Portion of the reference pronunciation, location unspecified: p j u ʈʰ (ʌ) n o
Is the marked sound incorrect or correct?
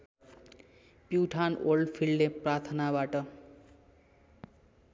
incorrect